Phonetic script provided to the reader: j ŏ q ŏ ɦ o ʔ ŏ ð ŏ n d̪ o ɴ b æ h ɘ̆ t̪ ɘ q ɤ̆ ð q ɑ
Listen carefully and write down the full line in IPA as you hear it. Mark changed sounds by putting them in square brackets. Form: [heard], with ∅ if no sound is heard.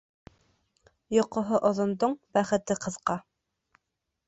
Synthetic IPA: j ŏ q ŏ ɦ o ʔ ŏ ð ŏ n d̪ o ɴ b æ [χ] ɘ̆ t̪ ɘ q ɤ̆ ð q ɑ